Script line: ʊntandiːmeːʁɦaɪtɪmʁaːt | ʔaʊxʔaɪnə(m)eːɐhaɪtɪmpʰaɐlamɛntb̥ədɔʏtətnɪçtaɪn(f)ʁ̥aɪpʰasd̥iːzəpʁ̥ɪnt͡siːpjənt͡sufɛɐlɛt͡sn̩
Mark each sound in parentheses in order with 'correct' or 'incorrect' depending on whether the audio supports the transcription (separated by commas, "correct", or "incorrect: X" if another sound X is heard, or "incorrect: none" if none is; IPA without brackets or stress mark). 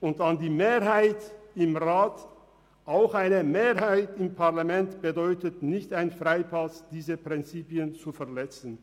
correct, correct